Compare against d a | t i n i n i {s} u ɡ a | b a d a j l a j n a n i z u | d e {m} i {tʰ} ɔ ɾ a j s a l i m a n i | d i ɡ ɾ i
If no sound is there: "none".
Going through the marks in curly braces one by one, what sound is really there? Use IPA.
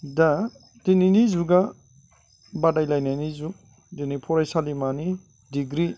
z, n, pʰ

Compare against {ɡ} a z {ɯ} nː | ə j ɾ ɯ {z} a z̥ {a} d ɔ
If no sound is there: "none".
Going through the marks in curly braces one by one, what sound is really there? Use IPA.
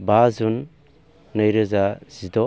b, u, z, i

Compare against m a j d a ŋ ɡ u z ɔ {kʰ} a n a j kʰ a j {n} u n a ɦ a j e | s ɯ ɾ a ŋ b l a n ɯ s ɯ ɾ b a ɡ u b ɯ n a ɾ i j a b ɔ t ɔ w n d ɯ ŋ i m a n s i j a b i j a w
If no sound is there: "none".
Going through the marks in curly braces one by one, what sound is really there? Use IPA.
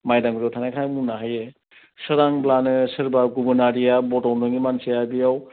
tʰ, m

